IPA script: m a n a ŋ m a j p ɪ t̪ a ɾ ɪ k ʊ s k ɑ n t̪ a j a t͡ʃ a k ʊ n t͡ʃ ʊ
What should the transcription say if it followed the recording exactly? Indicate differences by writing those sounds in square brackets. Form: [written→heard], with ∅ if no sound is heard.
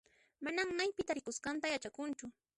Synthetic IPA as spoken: m a n a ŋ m a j p ɪ t̪ a ɾ ɪ k ʊ s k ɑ n t̪ a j a t͡ʃ a k ʊ n t͡ʃ ʊ